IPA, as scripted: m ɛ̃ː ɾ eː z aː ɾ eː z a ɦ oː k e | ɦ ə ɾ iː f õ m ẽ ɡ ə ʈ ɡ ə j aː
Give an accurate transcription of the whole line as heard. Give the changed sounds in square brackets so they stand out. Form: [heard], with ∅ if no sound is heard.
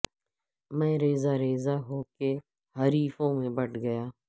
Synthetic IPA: m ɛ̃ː ɾ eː z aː ɾ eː z a ɦ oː k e | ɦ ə ɾ iː f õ m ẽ [b] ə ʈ ɡ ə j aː